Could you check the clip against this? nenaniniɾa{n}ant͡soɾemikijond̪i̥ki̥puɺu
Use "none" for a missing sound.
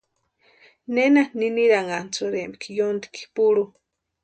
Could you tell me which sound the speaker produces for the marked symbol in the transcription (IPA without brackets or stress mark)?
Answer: ŋ